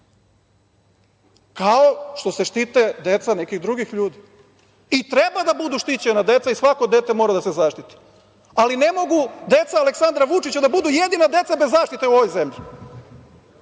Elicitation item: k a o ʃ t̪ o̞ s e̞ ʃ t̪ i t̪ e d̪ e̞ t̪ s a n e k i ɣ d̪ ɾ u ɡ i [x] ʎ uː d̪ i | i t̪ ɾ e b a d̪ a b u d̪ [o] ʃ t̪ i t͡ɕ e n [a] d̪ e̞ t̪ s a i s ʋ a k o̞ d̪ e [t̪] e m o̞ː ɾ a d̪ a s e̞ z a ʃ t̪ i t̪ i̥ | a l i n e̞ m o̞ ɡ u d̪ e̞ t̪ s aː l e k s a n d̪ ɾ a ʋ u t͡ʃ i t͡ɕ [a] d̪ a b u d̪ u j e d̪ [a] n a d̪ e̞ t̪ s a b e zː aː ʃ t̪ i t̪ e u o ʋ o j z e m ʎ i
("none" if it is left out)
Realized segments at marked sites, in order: x, u, a, t̪, a, i

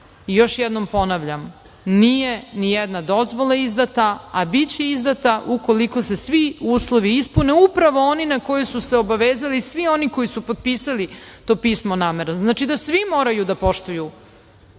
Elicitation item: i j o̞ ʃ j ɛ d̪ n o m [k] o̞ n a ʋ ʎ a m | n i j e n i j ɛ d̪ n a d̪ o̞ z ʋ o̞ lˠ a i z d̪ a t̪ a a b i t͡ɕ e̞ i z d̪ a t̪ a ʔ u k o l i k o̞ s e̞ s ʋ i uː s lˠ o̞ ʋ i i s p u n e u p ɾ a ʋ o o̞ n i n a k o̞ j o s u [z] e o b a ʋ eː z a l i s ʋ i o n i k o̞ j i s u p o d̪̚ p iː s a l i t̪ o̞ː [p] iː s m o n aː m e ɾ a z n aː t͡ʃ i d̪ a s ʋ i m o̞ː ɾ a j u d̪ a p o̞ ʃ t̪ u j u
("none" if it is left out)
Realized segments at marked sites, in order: p, s, p

